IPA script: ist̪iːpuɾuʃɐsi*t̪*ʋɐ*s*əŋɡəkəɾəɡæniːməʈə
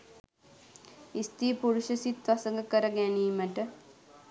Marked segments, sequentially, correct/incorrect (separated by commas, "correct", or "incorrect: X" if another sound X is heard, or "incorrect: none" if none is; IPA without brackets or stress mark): correct, correct